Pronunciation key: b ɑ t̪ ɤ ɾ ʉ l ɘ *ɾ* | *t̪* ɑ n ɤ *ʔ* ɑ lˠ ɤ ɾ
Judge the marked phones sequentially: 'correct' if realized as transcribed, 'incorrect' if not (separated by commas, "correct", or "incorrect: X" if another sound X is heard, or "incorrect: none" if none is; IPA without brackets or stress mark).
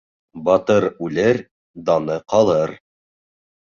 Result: correct, incorrect: d̪, incorrect: q